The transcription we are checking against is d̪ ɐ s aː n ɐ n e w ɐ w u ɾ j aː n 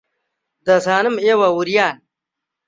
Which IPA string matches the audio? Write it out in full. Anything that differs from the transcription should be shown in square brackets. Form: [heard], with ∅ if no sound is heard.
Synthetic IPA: d̪ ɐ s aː n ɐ [m] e w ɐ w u ɾ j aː n